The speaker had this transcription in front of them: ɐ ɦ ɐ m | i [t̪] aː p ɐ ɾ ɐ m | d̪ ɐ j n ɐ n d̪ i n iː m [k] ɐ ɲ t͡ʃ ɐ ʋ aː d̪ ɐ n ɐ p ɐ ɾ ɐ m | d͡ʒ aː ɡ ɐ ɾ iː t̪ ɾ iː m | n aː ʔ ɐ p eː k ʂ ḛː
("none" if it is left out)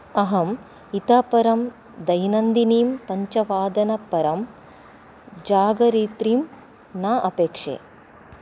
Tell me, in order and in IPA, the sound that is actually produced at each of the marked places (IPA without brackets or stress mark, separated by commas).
t̪, p